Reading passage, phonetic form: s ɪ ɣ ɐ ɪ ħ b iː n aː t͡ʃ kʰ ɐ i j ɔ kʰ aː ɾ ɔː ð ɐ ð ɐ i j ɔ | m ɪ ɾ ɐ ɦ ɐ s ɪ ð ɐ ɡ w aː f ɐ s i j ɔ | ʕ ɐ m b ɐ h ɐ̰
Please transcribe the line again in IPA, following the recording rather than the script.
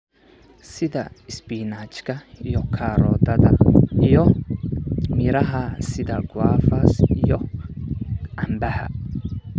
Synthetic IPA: s ɪ ð ɐ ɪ s b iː n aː t͡ʃ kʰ ɐ i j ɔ kʰ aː ɾ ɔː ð ɐ ð ɐ i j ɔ | m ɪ ɾ ɐ ɦ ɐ s ɪ ð ɐ ɡ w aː f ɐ s i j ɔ | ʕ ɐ m b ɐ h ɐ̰

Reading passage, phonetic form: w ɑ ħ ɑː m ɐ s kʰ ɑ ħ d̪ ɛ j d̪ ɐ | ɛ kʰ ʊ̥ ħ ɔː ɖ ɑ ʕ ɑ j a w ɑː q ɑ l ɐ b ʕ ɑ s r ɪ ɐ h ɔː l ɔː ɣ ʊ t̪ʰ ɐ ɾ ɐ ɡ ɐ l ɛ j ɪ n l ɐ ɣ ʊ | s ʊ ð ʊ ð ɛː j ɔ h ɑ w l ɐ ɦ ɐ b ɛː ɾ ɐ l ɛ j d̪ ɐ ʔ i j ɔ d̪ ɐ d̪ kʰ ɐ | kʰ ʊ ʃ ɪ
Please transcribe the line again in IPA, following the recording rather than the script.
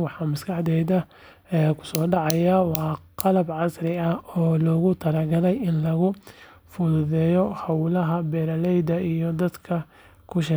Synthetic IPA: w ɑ ħ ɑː m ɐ s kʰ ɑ ħ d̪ ɛ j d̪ ɐ | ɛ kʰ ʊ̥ s ɔː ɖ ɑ ʕ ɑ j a w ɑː q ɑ l ɐ b ʕ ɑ s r ɪ ɐ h ɔː l ɔː ɣ ʊ t̪ʰ ɐ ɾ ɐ ɡ ɐ l ɛ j ɪ n l ɐ ɣ ʊ | f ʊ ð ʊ ð ɛː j ɔ h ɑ w l ɐ ɦ ɐ b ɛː ɾ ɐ l ɛ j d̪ ɐ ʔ i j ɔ d̪ ɐ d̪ kʰ ɐ | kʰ ʊ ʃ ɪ

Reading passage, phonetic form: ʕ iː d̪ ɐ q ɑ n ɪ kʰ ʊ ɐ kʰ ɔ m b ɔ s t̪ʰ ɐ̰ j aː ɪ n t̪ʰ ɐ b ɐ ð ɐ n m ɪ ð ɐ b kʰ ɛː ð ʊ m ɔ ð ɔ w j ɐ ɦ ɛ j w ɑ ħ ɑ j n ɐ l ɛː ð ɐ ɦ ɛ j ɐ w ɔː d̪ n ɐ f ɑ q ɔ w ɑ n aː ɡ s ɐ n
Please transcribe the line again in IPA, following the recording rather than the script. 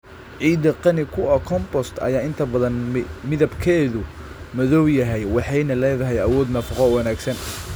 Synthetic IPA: ʕ iː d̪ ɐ q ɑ n ɪ kʰ ʊ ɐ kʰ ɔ m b ɔ s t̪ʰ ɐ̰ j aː ɪ n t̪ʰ ɐ b ɐ ð ɐ n m ɪ ð ɐ b kʰ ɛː ð ʊ m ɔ ð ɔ w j ɐ ɦ ɛ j w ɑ ħ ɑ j n ɐ l ɛː ð ɐ ɦ ɛ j ɐ w ɔː d̪ n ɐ f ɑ q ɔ w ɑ n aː ɡ s ɐ n

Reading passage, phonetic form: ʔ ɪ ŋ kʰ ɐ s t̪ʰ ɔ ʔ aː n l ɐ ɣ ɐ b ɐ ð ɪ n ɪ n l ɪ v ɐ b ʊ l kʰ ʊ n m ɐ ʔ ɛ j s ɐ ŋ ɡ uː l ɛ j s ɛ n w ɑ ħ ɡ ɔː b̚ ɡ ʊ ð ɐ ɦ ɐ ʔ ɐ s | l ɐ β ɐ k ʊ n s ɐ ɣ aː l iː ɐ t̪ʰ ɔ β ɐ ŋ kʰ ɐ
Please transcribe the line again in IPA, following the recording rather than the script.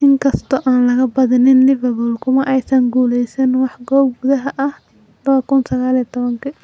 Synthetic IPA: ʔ ɪ ŋ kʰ ɐ s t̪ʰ ɔ ʔ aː n l ɐ ɣ ɐ b ɐ ð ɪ n ɪ n l ɪ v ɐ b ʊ l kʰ ʊ m ɐ ʔ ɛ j s ɐ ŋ ɡ uː l ɛ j s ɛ n w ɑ ħ ɡ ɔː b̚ ɡ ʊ ð ɐ ɦ ɐ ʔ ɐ h | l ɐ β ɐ k ʊ n s ɐ ɣ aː l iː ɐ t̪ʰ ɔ β ɐ ŋ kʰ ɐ

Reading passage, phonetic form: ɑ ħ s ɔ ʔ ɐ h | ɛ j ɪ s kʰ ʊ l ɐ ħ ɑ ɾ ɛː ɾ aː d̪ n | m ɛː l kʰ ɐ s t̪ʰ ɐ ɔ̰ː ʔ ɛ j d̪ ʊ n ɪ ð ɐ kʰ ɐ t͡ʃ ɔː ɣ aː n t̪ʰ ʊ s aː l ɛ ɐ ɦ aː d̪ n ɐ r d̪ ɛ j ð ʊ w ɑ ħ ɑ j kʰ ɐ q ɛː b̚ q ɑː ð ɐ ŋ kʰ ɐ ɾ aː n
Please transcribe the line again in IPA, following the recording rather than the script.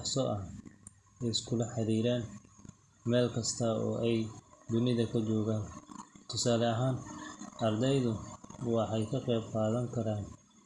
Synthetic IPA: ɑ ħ s ɔ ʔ ɐ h | ɛ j ɪ s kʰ ʊ l ɐ ħ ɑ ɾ iː ɾ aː n | m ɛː l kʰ ɐ s t̪ʰ ɐ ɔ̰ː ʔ ɛ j d̪ ʊ n ɪ ð ɐ kʰ ɐ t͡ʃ ɔː ɣ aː n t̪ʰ ʊ s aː l ɛ ɐ ɦ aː n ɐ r d̪ ɛ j ð ʊ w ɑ ħ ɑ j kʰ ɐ q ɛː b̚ q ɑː ð ɐ ŋ kʰ ɐ ɾ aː n

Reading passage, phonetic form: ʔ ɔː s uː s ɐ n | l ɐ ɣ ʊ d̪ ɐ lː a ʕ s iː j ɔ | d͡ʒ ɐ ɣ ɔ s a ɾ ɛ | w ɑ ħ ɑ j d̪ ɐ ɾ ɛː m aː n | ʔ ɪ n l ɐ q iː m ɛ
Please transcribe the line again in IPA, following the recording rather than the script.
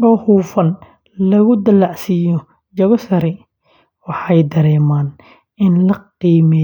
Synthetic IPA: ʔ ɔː h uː f ɐ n | l ɐ ɣ ʊ d̪ ɐ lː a ʕ s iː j ɔ | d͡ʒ ɐ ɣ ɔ s ɐ ɾ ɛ | w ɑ ħ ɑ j d̪ ɐ ɾ ɛː m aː n | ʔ ɪ n l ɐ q iː m ɛ

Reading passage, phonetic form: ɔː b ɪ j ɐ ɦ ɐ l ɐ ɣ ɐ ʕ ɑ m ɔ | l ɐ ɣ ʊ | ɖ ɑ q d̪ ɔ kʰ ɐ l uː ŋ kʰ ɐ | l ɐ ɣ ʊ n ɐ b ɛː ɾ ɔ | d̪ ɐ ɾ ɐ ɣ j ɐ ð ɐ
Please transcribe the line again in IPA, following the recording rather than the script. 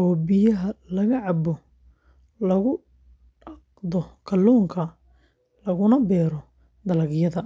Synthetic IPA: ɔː b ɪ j ɐ ɦ ɐ l ɐ ɣ ɐ ʕ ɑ b ɔ | l ɐ ɣ ʊ | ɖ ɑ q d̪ ɔ kʰ ɐ l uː ŋ kʰ ɐ | l ɐ ɣ ʊ n ɐ b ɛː ɾ ɔ | d̪ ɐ l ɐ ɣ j ɐ ð ɐ

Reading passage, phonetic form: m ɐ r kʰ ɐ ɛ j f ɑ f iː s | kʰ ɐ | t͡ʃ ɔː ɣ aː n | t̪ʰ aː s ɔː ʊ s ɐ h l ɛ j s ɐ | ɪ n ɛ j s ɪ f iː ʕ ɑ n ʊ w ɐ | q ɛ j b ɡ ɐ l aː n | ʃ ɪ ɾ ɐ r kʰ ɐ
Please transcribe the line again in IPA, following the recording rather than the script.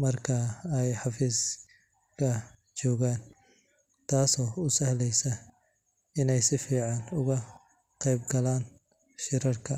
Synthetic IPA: m ɐ r kʰ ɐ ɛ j ħ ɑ f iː s | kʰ ɐ | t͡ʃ ɔː ɣ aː n | t̪ʰ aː s ɔː ʊ s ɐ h l ɛ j s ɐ | ɪ n ɛ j s ɪ f iː ʕ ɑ n ʊ ɣ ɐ | q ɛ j b ɡ ɐ l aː n | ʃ ɪ ɾ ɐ r kʰ ɐ

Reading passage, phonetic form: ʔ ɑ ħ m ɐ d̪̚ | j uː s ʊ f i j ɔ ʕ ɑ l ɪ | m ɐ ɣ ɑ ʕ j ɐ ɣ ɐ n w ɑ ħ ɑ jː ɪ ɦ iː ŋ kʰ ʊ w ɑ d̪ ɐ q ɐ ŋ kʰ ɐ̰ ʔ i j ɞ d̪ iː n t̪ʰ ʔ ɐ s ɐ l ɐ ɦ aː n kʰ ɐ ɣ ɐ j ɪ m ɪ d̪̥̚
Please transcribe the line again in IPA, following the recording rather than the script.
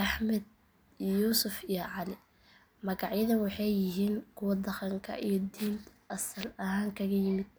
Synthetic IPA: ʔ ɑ ħ m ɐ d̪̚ | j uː s ʊ f i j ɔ ʕ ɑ l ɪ | m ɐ ɣ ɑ ʕ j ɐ ð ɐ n w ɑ ħ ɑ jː ɪ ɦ iː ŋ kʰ ʊ w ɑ d̪ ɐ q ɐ ŋ kʰ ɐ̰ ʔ i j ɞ d̪ iː n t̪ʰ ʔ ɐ s ɐ l ɐ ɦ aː ŋ kʰ ɐ ɣ ɐ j ɪ m ɪ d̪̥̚

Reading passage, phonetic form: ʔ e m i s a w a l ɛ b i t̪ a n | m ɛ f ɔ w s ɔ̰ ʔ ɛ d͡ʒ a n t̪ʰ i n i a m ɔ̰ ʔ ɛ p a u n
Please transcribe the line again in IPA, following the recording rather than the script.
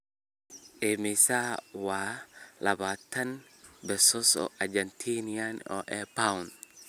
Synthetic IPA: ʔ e m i s a w a l a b a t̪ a n | b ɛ s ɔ s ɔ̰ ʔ a d͡ʒ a n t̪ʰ i n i a n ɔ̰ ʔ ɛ p a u n

